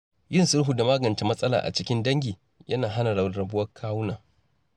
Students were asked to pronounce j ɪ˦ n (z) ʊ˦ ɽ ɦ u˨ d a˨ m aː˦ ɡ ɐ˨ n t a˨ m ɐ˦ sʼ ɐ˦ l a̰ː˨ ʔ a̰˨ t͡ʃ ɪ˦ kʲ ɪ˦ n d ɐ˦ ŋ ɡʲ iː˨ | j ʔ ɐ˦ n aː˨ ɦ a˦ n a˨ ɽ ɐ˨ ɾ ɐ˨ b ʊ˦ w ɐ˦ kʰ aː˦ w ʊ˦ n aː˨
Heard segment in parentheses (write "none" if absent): s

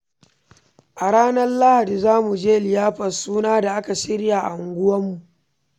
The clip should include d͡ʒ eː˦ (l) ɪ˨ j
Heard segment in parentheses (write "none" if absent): l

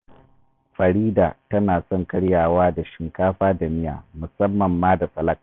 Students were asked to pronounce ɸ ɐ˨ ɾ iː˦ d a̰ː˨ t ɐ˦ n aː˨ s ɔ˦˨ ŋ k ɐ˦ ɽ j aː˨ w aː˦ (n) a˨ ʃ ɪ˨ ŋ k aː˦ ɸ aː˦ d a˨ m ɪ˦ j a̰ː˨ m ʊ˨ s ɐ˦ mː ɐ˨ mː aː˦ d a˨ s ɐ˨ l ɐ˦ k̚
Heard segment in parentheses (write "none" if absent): d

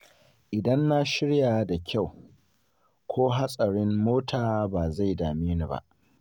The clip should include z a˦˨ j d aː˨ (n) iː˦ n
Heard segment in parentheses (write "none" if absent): m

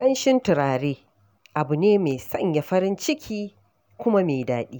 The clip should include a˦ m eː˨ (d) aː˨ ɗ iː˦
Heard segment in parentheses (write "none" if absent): d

